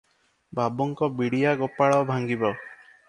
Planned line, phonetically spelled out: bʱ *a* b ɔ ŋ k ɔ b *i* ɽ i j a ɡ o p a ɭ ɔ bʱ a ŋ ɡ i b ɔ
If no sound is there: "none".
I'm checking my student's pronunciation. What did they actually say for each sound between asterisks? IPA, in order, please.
a, i

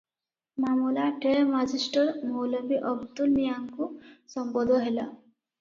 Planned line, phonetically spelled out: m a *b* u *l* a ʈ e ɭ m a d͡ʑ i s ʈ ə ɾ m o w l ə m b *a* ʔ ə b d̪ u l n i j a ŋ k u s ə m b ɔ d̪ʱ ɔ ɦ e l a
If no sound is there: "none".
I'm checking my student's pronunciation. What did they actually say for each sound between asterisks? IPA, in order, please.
m, l, i

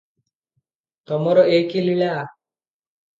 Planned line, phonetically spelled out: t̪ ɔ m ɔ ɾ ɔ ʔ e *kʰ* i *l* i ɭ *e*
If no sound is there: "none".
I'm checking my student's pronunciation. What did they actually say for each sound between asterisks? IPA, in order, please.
k, l, a

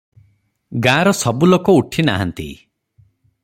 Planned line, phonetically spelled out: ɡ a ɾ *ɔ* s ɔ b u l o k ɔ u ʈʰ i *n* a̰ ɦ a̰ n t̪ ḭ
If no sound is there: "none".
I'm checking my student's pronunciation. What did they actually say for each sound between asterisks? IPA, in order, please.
ɔ, n

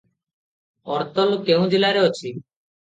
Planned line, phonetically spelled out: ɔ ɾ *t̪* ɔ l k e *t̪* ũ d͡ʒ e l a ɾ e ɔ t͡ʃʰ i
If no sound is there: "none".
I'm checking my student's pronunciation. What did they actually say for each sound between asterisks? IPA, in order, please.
t̪, none

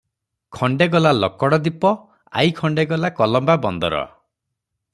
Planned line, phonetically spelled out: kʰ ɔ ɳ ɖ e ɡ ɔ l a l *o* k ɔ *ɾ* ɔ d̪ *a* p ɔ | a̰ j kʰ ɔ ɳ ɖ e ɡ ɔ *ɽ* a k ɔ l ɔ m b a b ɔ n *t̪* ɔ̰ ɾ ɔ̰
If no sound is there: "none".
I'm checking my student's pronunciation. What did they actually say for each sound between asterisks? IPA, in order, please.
ɔ, ɽ, i, l, d̪

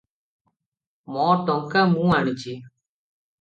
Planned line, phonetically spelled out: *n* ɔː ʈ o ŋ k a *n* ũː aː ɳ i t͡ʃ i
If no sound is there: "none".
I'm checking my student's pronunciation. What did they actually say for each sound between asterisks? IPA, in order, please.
m, m

